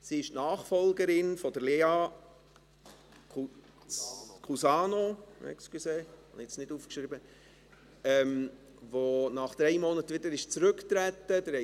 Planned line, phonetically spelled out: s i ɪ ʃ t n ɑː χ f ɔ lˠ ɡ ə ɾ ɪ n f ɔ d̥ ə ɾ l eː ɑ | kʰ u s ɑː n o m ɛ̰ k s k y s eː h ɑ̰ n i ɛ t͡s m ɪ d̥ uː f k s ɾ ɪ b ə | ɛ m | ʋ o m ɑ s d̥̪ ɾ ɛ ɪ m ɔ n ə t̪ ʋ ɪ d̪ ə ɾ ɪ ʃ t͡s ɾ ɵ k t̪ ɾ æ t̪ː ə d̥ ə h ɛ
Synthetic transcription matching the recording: s i ɪ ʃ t n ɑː χ f ɔ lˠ ɡ ə ɾ ɪ n f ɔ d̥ ə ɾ l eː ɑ | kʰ u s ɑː n o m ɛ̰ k s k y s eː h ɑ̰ n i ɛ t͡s n ɪ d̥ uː f k ʃ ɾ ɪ b ə | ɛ m | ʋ o n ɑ χ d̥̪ ɾ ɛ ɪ m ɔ n ə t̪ ʋ ɪ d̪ ə ɾ ɪ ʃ t͡s ɾ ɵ k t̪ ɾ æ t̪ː ə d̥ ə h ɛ